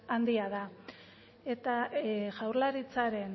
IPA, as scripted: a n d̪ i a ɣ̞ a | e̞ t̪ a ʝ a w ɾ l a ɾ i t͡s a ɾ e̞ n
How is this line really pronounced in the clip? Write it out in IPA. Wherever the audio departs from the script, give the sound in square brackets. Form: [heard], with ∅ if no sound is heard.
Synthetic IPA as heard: a n d̪ i a [ð̞] a | e̞ t̪ a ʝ a w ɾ l a ɾ i t͡s a ɾ e̞ n